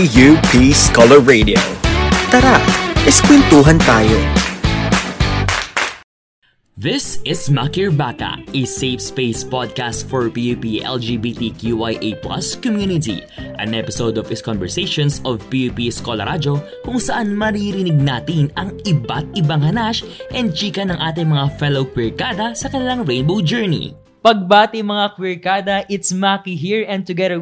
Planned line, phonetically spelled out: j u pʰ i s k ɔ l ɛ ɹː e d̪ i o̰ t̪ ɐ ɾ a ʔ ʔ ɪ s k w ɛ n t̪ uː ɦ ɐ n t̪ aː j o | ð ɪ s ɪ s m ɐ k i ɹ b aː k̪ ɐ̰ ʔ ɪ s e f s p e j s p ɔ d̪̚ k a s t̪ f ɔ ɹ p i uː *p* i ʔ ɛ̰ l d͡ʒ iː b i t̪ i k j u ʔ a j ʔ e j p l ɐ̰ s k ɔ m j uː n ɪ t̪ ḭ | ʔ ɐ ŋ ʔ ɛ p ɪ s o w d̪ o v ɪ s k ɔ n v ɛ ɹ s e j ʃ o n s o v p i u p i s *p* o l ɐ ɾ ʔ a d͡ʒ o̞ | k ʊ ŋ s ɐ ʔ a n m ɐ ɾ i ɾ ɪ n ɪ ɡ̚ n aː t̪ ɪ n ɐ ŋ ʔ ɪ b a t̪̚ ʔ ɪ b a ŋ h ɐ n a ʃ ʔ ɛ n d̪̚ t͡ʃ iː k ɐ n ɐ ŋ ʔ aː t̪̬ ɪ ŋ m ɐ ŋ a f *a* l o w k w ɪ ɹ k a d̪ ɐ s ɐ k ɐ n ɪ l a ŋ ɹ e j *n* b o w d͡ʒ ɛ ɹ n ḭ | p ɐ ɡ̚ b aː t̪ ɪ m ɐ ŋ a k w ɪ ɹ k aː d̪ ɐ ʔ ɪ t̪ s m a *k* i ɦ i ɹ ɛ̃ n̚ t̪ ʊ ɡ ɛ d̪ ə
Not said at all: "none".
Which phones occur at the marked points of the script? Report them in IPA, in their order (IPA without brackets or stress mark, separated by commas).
p, k, ɛ, n, k